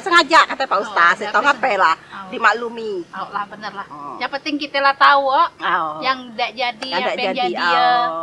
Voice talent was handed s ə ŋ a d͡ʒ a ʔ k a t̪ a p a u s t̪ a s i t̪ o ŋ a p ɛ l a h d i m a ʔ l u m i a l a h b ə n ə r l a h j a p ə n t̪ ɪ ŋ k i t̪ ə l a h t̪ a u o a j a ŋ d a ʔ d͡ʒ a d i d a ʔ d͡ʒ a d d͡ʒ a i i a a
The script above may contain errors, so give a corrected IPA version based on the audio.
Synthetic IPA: s ə ŋ a d͡ʒ a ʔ k a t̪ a p a u s t̪ a s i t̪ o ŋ a p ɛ l a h d i m a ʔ l u m i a l a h b ə n ə r l a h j a p ə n t̪ ɪ ŋ k i t̪ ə l a h t̪ a u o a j a ŋ d a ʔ d͡ʒ a d i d a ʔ d͡ʒ a d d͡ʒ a i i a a